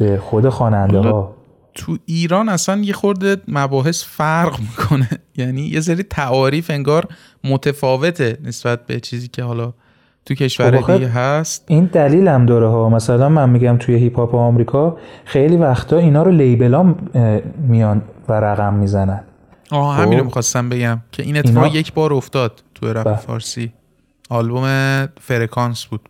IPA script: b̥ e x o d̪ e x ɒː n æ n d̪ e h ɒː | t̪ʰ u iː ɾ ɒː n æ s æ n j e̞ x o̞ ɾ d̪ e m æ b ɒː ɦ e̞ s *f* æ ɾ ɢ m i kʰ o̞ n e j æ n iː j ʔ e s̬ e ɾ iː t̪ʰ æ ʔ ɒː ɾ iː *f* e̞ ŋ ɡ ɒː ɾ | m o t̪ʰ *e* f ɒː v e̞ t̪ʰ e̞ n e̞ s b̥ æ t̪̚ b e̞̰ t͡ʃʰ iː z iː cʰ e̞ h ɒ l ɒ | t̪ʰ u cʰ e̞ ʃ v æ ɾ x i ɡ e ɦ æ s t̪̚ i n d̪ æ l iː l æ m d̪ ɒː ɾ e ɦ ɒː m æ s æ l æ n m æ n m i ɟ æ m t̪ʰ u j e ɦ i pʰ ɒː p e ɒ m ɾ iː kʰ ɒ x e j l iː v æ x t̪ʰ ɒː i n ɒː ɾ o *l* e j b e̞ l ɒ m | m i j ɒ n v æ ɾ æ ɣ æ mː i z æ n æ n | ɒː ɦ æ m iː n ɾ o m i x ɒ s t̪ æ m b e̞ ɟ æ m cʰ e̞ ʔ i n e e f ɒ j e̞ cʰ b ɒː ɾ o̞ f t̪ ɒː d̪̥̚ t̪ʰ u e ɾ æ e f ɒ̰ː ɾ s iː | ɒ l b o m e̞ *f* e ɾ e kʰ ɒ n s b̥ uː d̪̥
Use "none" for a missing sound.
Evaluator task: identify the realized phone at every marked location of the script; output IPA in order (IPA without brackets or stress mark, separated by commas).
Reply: f, f, e, l, f